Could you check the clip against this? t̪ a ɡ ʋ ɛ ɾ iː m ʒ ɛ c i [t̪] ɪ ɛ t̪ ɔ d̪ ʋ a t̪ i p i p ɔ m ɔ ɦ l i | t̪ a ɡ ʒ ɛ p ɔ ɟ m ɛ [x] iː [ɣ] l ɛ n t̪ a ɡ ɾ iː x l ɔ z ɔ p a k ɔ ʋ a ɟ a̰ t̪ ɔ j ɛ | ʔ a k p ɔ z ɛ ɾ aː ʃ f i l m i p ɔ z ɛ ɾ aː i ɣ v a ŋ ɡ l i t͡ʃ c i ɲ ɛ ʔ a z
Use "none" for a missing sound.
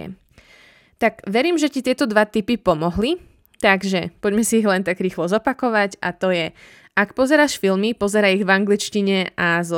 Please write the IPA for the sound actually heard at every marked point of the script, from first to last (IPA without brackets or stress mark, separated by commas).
t̪, s, ɣ